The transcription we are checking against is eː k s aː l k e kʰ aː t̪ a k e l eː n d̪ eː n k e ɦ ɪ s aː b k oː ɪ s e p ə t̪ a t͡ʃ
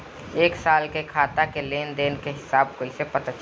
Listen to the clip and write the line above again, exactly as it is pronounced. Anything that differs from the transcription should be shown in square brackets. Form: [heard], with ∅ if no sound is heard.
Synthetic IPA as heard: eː k s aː l k e kʰ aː t̪ a k e l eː n d̪ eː n k e ɦ ɪ s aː b k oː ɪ s e p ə t̪ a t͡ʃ